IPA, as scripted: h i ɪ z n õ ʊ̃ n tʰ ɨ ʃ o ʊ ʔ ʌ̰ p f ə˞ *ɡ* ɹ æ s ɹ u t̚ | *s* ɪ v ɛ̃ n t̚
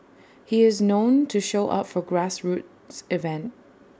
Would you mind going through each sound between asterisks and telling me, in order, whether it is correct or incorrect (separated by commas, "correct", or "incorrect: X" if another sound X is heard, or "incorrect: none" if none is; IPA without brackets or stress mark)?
correct, correct